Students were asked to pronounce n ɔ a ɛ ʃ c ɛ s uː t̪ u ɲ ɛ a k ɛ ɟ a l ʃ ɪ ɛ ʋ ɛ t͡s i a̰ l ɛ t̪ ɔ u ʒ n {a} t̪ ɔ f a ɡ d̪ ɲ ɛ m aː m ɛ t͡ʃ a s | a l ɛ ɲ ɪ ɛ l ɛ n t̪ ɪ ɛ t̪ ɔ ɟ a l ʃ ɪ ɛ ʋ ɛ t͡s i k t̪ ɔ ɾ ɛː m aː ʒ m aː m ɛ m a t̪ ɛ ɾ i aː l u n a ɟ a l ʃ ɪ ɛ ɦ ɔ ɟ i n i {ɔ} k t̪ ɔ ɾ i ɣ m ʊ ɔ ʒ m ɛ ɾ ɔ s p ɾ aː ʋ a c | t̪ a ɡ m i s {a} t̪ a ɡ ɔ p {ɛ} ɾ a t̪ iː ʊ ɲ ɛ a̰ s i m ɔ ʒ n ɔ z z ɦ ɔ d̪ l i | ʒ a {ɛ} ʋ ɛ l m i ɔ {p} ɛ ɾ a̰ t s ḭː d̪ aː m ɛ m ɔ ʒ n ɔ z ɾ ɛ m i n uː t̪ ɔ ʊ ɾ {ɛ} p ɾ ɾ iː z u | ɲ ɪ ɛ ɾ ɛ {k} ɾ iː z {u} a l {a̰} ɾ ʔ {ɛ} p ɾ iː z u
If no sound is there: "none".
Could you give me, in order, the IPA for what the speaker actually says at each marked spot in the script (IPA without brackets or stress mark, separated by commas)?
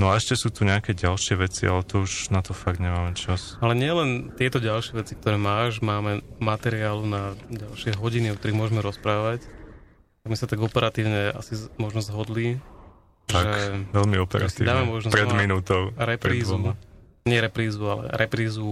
a, ɔ, a, ɛ, ɛ, p, ɛ, p, u, ɛ̰, ɛ